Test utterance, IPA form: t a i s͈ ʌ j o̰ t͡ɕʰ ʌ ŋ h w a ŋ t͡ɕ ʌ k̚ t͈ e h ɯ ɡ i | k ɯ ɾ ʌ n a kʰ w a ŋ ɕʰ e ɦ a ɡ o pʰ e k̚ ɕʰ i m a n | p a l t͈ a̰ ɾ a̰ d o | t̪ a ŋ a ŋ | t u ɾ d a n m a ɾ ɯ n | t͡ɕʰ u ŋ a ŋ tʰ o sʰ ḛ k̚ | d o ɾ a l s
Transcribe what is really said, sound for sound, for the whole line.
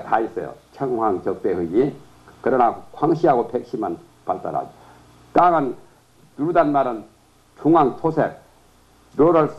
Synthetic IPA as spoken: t a i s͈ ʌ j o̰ t͡ɕʰ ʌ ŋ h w a ŋ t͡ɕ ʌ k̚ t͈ e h ɯ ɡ i | k ɯ ɾ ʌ n a kʰ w a ŋ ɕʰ i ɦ a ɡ o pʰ e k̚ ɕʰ i m a n | p a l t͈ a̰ ɾ a̰ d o | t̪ a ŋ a n | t u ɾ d a n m a ɾ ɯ n | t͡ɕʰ u ŋ a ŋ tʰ o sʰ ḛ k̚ | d o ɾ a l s